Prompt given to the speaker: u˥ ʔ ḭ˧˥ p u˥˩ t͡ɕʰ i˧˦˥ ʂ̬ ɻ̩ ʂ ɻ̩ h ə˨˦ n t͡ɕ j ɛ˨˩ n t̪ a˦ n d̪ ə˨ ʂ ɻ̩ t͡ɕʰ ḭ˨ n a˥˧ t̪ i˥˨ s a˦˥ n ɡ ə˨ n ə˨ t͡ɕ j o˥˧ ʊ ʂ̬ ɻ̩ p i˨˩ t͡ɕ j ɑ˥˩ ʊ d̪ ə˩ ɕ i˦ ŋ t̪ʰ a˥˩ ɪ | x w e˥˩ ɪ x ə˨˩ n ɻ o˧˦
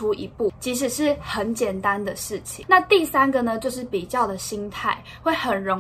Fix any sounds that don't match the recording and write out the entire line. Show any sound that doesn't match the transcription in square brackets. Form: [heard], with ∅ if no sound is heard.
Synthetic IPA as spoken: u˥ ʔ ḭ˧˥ p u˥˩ t͡ɕʰ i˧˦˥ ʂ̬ ɻ̩ ʂ ɻ̩ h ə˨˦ n t͡ɕ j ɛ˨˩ n t̪ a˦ n d̪ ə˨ ʂ ɻ̩ t͡ɕʰ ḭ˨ n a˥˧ t̪ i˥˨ s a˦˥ n ɡ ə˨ n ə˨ t͡ɕ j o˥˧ ʊ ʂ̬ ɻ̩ p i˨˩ t͡ɕ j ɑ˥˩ ʊ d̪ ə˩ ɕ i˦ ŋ t̪ʰ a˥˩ ɪ | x w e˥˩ ɪ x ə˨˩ n ɻ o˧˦